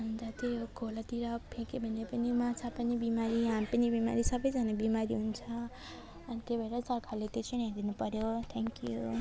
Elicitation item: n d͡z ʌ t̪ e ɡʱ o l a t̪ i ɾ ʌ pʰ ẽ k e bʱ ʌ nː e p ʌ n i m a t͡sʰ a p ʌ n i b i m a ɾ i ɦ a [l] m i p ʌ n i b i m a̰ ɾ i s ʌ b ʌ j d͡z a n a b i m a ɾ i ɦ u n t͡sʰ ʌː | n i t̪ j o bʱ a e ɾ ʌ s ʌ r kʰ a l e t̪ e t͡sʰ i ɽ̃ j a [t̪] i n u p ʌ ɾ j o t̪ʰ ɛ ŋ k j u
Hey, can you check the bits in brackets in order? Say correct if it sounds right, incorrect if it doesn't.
incorrect, incorrect

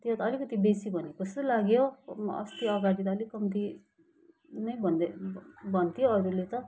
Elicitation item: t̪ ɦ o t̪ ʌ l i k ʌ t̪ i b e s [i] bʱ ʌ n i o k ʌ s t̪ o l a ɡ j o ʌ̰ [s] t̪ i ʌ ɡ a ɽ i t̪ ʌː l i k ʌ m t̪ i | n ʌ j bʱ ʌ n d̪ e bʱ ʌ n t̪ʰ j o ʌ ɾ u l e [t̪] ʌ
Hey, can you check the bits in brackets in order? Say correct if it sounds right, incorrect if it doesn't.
correct, correct, correct

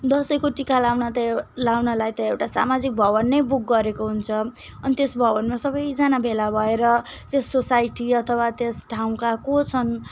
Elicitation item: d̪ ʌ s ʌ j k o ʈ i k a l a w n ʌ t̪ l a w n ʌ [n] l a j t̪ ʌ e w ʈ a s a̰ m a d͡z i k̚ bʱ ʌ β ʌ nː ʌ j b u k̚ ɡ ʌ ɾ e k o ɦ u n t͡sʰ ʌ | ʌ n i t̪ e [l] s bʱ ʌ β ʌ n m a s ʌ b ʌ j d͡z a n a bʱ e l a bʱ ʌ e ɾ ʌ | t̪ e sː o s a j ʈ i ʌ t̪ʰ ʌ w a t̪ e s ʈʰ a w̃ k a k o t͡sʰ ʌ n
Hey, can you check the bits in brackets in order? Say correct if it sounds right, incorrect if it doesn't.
incorrect, incorrect

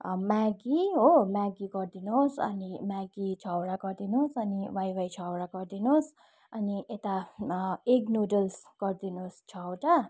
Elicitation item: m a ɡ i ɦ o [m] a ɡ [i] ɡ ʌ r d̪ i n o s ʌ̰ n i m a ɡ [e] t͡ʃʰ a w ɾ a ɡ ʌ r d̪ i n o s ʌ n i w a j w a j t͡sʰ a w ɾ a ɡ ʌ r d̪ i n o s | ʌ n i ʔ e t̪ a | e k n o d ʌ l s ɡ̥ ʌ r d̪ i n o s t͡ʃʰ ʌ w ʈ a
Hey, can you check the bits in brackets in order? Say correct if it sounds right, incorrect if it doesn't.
correct, correct, incorrect

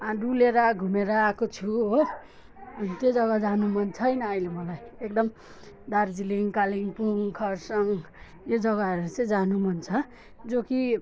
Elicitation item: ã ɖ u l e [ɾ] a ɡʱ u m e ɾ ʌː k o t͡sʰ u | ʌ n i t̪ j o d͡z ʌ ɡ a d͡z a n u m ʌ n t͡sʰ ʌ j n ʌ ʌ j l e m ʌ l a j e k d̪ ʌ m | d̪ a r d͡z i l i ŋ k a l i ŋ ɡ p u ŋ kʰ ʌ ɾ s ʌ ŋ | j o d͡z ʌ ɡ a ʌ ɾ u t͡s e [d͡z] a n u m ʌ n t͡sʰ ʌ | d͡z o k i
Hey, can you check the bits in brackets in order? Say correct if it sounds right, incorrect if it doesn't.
correct, correct

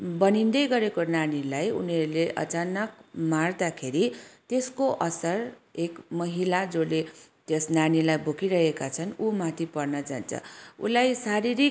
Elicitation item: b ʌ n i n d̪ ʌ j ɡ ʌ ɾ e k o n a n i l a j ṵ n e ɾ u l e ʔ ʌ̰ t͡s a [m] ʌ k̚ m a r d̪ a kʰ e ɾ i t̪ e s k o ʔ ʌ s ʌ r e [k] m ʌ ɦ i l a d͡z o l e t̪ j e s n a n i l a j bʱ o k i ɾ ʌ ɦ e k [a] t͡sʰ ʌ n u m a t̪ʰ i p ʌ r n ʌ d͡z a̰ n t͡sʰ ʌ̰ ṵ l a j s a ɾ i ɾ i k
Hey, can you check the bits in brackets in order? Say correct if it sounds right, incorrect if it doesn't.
incorrect, correct, correct

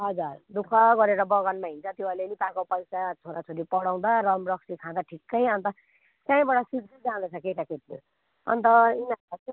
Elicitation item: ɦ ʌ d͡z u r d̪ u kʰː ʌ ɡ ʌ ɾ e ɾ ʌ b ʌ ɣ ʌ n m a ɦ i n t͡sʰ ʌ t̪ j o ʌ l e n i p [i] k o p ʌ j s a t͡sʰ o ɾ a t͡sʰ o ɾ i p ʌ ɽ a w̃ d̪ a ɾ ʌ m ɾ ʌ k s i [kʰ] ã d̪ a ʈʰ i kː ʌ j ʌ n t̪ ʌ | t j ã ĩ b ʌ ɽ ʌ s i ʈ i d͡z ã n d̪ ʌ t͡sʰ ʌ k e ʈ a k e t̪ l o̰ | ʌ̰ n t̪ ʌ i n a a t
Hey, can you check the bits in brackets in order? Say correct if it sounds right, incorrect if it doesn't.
incorrect, correct

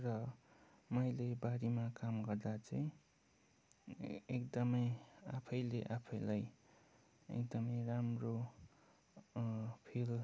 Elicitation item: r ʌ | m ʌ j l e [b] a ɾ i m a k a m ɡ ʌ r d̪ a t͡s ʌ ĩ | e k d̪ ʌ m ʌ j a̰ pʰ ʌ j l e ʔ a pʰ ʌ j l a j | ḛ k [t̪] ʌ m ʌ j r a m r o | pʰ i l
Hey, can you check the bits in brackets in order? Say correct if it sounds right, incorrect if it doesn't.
correct, incorrect

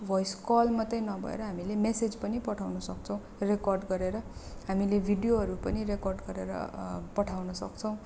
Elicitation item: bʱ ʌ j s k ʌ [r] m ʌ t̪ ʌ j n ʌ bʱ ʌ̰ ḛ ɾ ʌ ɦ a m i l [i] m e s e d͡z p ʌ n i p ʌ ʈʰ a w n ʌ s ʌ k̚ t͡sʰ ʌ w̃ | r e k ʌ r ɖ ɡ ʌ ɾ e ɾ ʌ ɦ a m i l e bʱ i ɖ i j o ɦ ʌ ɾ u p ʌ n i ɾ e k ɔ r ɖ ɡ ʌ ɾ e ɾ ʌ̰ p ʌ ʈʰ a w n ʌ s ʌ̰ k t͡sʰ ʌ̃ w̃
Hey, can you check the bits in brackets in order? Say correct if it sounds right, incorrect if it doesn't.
incorrect, incorrect

